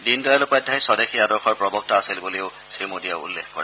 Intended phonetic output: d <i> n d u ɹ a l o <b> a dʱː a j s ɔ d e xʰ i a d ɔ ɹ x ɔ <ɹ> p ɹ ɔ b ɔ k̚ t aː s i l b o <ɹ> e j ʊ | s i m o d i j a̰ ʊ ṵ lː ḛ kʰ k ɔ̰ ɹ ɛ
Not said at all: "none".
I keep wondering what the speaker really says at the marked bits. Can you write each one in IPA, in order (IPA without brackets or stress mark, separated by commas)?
i, p, ɹ, l